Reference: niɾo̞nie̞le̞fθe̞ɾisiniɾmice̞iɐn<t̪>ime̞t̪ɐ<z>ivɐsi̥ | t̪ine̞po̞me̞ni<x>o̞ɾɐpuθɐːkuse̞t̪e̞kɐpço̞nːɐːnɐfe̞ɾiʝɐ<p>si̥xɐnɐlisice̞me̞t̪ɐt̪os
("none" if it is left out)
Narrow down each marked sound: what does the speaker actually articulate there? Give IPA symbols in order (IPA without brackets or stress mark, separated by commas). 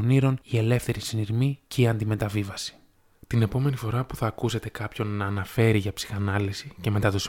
d̪, v, f, p